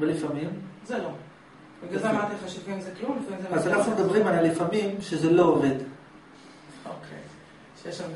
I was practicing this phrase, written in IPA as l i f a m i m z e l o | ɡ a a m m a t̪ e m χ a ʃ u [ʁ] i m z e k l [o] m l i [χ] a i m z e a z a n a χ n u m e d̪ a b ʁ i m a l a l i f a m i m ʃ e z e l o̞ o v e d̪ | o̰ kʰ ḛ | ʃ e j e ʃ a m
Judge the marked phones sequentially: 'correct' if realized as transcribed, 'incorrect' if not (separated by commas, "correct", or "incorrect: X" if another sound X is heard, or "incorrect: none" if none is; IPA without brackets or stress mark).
incorrect: v, incorrect: u, incorrect: f